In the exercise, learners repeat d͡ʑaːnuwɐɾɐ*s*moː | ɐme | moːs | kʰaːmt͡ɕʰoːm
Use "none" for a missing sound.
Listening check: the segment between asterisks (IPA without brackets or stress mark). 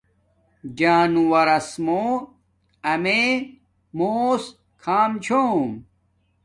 s